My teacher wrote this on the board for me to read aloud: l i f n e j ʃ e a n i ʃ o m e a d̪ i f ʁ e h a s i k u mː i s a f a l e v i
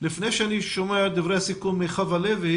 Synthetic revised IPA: l i f n e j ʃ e a n i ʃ o m e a d̪ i v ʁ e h a s i k u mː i χ a v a l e v i